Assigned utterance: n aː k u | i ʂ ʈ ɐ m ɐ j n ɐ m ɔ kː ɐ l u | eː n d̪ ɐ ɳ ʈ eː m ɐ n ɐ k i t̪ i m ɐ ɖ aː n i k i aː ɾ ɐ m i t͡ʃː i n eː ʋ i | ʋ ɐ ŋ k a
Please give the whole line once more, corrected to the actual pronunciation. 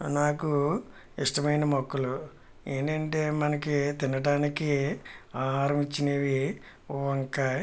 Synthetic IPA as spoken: n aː k u | i ʂ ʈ ɐ m ɐ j n ɐ m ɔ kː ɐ l u | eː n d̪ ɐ ɳ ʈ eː m ɐ n ɐ k i t̪ i n ɐ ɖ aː n i k i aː ɾ ɐ m i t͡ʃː i n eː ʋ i | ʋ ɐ ŋ k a